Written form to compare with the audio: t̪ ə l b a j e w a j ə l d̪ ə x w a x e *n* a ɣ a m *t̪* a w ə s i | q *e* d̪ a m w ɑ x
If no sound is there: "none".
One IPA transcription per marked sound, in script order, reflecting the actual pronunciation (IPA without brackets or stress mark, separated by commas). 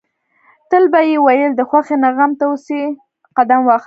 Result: n, t̪, a